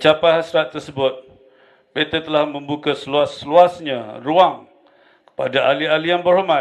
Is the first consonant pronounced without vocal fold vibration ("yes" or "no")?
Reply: yes